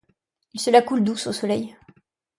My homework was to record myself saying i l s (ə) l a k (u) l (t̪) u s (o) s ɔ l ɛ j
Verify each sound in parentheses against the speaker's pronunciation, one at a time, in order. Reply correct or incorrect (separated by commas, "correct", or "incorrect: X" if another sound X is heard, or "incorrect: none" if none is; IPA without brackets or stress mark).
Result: correct, correct, incorrect: d̪, correct